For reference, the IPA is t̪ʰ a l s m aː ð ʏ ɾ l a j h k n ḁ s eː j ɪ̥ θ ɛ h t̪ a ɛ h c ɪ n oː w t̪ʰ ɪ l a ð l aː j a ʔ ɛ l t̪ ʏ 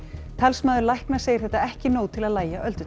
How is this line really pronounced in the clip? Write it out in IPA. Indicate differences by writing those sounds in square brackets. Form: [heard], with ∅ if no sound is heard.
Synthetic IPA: t̪ʰ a l s m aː ð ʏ ɾ l a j h k n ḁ s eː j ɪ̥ θ ɛ h t̪ a ɛ h c ɪ n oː w t̪ʰ ɪ l a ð l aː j a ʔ [œ] l t̪ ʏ